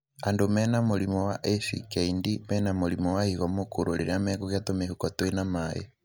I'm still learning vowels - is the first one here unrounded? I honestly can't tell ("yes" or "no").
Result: yes